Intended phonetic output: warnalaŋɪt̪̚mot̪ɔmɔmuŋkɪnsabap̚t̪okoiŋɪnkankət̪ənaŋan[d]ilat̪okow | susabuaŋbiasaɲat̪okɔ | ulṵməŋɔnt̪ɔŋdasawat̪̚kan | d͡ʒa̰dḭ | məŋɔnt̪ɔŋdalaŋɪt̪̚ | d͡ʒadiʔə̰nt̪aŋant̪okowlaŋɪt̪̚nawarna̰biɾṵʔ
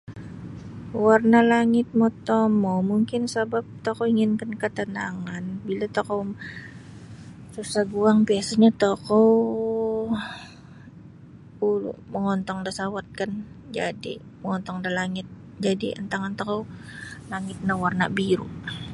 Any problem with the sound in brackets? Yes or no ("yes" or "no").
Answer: yes